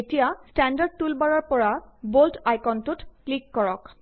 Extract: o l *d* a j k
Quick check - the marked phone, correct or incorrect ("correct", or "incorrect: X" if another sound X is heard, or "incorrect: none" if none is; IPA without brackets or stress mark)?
incorrect: t